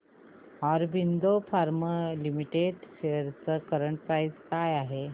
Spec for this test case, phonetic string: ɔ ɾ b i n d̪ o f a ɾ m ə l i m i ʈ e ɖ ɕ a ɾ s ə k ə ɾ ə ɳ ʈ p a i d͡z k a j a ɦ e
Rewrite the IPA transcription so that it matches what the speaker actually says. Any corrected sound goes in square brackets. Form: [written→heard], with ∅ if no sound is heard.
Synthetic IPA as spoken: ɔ ɾ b i n d̪ o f a ɾ m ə l i m i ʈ e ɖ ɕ [a→e] ɾ [s→t͡s] ə k ə ɾ ə ɳ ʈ p a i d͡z k a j a ɦ e